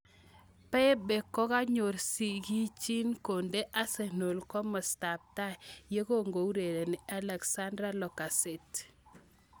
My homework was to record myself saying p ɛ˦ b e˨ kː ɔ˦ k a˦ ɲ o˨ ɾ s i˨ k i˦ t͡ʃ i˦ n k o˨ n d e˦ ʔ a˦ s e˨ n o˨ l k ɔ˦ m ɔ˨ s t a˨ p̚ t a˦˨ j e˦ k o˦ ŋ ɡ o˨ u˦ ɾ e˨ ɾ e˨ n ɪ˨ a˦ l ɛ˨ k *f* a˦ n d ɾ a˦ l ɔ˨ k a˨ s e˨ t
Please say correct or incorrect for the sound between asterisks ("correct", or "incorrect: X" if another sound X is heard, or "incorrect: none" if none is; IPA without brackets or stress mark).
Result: incorrect: s